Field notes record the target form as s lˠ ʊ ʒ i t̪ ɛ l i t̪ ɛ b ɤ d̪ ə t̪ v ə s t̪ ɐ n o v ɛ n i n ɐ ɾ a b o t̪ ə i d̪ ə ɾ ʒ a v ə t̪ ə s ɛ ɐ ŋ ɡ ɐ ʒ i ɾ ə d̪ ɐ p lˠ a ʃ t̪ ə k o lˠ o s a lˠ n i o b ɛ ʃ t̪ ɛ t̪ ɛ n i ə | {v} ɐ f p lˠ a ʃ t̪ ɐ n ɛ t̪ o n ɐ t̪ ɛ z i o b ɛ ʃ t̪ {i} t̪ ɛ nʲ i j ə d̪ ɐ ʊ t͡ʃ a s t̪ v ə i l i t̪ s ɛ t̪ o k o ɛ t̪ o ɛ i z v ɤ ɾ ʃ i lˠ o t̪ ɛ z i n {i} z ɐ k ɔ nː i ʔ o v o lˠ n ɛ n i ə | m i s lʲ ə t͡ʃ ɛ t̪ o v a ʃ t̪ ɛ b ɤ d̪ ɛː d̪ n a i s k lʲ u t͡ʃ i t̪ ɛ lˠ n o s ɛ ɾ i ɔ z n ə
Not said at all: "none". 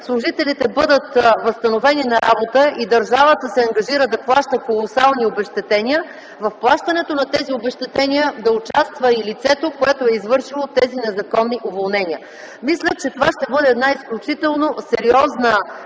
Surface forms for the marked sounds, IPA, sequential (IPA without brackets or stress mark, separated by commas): v, ɛ, ɛ